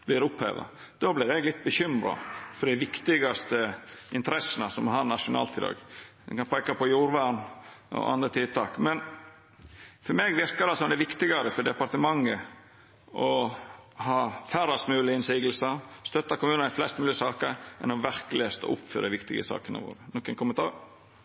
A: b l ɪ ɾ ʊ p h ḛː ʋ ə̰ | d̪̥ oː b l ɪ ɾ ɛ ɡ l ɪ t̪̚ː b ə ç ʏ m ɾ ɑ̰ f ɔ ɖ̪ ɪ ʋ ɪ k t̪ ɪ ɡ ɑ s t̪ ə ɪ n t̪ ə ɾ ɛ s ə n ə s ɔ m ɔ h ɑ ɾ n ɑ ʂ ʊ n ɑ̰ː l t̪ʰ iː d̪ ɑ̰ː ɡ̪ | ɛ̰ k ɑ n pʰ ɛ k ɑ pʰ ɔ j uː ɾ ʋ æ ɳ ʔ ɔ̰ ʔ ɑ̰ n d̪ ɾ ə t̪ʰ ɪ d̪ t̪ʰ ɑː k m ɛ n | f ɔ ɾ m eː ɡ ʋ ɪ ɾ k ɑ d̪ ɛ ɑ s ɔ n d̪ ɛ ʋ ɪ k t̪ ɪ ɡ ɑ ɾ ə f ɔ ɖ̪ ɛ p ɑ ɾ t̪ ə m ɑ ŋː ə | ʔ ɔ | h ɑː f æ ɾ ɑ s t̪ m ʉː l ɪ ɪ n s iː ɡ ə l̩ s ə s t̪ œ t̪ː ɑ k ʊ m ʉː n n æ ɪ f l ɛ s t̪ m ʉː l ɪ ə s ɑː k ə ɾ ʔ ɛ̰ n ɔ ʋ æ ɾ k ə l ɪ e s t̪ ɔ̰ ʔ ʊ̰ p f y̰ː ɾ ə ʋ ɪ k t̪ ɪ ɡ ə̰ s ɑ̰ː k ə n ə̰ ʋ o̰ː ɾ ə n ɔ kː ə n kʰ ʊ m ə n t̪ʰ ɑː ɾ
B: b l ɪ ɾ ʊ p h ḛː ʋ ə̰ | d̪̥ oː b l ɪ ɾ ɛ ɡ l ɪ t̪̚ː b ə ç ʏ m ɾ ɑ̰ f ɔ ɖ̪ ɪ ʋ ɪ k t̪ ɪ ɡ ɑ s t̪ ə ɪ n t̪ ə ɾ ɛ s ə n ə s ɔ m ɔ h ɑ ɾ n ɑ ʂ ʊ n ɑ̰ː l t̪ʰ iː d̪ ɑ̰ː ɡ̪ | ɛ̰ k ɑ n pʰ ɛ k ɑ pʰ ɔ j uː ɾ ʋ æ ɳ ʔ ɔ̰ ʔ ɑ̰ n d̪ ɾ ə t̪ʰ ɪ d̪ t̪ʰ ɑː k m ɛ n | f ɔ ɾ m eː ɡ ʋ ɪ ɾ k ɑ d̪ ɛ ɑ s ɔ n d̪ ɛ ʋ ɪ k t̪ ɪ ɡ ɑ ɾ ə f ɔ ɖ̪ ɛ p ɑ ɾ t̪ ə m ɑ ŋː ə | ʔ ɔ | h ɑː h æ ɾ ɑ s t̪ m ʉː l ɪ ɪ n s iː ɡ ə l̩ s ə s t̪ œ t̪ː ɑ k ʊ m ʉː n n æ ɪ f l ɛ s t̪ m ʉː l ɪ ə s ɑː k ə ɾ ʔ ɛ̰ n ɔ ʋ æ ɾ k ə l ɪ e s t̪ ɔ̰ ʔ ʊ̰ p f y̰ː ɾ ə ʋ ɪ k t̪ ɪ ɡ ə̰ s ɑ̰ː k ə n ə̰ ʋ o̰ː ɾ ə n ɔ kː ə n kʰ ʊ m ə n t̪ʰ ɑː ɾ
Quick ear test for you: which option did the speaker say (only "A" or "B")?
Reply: A